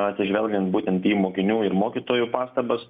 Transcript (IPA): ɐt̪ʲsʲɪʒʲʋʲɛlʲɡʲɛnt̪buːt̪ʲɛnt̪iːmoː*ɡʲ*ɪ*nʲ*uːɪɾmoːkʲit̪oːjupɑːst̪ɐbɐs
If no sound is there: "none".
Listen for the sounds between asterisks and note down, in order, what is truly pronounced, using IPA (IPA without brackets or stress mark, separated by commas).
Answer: kʲ, nʲ